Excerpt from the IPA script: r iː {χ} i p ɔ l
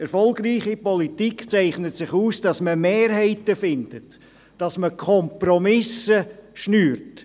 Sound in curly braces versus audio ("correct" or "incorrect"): correct